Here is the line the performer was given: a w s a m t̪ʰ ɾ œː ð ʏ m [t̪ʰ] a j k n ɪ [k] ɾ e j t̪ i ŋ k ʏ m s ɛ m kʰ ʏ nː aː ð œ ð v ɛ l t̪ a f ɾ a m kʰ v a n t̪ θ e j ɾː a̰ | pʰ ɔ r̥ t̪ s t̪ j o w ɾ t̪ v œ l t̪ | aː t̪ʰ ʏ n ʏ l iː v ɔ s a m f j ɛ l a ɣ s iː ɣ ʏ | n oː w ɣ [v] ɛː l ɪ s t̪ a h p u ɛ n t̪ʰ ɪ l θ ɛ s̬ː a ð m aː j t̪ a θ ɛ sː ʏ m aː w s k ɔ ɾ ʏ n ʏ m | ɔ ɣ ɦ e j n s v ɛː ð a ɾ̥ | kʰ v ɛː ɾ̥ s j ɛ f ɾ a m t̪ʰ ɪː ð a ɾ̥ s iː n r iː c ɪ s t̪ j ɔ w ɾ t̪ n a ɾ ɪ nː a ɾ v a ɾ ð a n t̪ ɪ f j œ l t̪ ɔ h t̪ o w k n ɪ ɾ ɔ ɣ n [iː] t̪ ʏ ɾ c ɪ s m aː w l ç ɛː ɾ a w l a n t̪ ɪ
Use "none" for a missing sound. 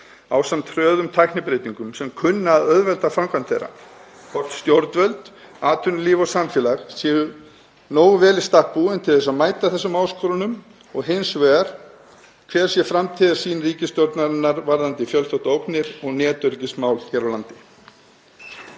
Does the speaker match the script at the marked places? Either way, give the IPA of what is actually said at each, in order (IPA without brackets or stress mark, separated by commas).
t̪ʰ, p, v, ɛː